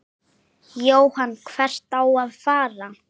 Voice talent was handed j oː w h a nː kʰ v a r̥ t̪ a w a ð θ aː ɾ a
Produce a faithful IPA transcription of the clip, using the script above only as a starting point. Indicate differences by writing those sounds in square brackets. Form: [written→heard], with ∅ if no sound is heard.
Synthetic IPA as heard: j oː w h a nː kʰ v [a→ɛ] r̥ t̪ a w a ð [θ→f] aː ɾ a